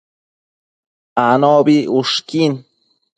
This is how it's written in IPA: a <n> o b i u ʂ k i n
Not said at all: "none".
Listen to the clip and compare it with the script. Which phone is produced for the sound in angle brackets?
n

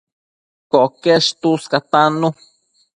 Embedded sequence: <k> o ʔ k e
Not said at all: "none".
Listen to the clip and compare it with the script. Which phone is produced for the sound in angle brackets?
k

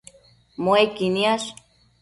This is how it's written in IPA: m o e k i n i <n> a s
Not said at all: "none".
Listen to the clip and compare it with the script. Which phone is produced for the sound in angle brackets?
none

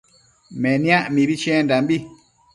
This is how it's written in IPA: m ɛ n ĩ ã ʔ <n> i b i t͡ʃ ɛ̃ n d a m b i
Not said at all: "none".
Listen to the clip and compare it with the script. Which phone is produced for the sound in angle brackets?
m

